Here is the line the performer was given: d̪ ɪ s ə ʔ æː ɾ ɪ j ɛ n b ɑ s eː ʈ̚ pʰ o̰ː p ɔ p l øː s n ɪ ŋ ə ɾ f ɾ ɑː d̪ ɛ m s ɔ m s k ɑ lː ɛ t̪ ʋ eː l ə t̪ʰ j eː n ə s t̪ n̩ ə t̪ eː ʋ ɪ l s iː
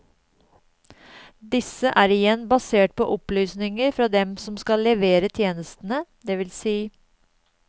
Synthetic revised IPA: d̪ ɪ s ə ʔ æː ɾ ɪ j ɛ n b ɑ s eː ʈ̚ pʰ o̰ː ʔ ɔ p l yː s n ɪ ŋ ə ɾ f ɾ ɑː d̪ ɛ m s ɔ m s k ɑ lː ɛ ʋ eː ɾ ə t̪ʰ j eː n ə s t̪ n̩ ə d̪ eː ʋ ɪ l s iː